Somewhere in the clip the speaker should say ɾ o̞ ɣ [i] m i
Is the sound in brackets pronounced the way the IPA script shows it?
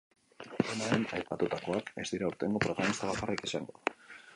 no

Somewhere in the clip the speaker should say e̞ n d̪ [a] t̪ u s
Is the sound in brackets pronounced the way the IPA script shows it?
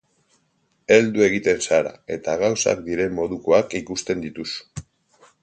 no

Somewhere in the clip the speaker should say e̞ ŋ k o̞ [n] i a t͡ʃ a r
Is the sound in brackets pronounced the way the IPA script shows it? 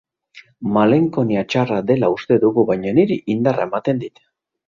yes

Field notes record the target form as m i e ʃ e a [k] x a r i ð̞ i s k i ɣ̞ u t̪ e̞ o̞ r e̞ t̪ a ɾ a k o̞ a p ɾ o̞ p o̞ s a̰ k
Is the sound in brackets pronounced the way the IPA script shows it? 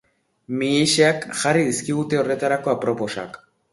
yes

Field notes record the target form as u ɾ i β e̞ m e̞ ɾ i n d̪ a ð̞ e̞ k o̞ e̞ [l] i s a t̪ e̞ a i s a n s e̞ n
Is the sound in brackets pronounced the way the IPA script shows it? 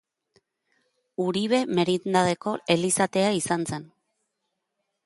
yes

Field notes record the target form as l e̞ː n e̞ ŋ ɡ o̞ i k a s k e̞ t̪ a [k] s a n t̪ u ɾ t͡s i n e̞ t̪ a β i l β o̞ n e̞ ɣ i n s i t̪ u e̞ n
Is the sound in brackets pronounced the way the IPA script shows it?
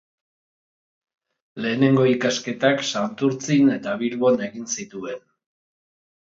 yes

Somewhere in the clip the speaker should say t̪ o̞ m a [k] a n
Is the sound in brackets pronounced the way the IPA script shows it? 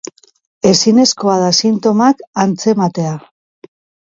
yes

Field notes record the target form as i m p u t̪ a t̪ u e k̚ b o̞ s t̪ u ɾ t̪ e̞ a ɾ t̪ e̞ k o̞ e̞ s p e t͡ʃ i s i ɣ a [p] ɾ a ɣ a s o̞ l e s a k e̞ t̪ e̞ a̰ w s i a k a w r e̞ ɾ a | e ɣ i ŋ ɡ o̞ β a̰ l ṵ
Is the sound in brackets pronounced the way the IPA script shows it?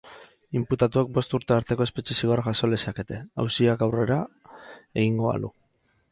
no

